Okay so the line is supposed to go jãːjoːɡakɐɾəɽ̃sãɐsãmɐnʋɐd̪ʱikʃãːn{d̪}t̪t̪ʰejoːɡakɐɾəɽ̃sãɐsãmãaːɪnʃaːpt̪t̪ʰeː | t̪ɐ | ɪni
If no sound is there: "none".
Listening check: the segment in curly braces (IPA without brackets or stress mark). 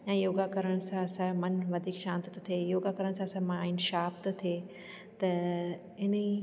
t̪